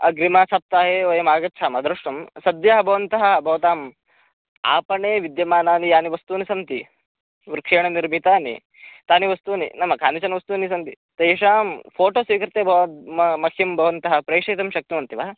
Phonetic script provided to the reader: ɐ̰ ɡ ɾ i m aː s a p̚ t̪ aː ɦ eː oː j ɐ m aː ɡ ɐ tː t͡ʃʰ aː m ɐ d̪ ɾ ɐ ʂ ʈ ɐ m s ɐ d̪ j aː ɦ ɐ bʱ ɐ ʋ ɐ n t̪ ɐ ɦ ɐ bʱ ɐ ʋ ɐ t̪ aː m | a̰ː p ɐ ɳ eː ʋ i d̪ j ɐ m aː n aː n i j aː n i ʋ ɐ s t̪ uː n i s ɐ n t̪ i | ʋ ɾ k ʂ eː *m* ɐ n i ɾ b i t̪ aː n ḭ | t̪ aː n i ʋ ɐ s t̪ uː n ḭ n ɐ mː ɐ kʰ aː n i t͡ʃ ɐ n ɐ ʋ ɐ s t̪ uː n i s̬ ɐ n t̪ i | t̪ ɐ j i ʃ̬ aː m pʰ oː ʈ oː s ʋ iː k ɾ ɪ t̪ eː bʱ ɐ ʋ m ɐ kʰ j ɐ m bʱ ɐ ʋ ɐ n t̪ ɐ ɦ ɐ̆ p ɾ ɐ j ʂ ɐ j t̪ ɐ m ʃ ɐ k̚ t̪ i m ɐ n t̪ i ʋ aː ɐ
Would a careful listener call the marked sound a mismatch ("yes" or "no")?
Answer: yes